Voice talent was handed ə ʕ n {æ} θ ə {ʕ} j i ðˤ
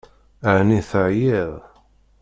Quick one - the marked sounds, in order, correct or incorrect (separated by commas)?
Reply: incorrect, correct